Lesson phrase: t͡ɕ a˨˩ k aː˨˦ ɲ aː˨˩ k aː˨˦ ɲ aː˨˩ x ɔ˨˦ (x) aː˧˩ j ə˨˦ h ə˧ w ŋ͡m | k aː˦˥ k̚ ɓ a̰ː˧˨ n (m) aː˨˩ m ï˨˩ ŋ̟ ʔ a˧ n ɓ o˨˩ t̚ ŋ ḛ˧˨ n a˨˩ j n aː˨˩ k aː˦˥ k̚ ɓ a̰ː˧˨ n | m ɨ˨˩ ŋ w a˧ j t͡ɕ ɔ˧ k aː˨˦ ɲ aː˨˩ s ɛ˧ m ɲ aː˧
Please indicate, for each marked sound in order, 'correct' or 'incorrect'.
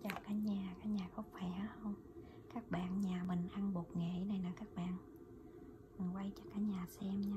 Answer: incorrect, incorrect

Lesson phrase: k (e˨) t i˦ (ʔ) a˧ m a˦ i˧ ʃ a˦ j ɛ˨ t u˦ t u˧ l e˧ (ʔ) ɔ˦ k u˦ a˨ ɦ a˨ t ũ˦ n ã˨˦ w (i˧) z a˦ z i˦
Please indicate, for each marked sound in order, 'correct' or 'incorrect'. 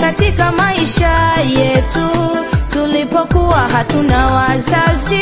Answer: incorrect, incorrect, incorrect, incorrect

